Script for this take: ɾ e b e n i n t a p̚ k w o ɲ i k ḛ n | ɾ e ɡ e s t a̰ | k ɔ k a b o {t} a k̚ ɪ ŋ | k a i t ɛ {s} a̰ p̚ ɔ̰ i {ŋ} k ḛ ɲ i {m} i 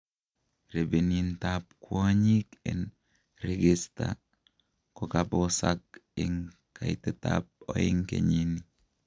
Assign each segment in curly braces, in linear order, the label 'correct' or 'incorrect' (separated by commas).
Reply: incorrect, incorrect, correct, incorrect